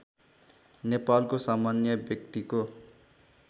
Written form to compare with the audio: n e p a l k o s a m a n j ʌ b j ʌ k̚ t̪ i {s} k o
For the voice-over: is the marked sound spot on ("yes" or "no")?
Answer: no